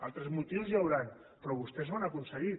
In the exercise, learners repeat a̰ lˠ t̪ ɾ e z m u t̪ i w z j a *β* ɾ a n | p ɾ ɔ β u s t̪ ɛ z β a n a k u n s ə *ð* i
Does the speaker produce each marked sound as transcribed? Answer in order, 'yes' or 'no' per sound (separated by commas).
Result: no, no